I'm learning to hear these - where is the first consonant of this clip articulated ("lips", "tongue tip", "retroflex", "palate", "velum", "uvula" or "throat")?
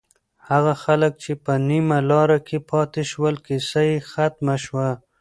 throat